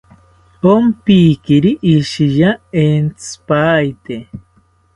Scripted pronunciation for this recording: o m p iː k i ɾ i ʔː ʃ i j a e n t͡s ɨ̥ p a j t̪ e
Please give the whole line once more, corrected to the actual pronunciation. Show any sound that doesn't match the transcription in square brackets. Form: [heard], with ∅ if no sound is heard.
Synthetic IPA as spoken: o m p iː k i ɾ i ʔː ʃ i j a e n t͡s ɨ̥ p a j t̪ e